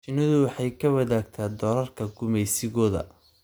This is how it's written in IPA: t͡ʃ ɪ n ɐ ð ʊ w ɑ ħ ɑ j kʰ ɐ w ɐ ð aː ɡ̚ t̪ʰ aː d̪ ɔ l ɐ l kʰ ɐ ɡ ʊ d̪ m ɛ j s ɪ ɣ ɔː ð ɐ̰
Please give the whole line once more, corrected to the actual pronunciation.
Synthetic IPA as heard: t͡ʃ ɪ n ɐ ð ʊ w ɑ ħ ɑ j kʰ ɐ w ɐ ð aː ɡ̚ t̪ʰ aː d̪ ɔː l ɐ r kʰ ɐ ɡ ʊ m ɛ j s ɪ ɣ ɔː ð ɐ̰